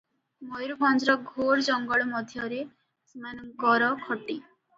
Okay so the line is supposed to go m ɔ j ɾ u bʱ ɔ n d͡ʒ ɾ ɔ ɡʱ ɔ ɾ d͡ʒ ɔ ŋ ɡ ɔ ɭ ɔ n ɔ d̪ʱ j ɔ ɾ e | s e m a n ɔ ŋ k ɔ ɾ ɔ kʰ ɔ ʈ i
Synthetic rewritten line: m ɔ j ɾ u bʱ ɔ n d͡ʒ ɾ ɔ ɡʱ o ɾ d͡ʒ ɔ ŋ ɡ ɔ ɭ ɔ m ɔ d̪ʱ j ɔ ɾ e | s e m a n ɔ ŋ k ɔ ɾ ɔ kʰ ɔ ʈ i